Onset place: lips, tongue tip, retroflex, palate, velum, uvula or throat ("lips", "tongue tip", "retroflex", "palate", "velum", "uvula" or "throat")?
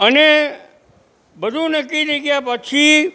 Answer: tongue tip